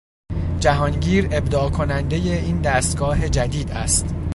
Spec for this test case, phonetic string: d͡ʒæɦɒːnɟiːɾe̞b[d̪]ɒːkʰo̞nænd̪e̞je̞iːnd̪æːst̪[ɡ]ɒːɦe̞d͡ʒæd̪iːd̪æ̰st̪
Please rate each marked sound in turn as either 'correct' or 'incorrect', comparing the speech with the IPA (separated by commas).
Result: correct, correct